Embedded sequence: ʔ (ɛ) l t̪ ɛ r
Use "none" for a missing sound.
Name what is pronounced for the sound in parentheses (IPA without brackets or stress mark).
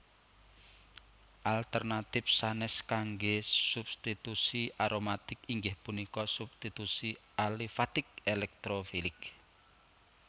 a